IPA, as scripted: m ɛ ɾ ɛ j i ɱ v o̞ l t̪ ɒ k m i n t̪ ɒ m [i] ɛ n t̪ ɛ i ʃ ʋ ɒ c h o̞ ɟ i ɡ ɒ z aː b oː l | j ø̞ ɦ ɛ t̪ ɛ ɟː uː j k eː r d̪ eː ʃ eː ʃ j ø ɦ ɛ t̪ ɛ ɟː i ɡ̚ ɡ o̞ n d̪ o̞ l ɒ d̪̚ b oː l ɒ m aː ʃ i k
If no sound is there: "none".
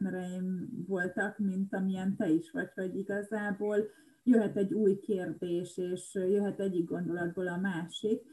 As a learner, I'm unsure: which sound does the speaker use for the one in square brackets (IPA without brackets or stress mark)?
i